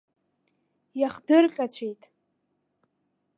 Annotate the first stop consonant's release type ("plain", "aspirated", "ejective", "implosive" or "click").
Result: plain